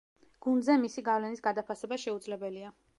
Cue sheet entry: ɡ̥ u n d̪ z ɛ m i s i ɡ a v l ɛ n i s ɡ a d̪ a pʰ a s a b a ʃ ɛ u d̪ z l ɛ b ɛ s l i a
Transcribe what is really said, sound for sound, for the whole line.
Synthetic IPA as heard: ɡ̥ u n d̪ z ɛ m i s i ɡ a v l ɛ n i s ɡ a d̪ a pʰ a s ɛ b a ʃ ɛ u d̪ z l ɛ b ɛ l i a